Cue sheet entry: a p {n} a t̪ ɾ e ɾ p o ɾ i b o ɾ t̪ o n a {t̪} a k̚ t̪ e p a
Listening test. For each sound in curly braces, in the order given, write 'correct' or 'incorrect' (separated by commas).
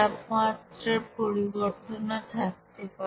incorrect, incorrect